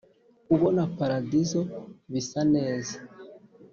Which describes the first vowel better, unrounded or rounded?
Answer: rounded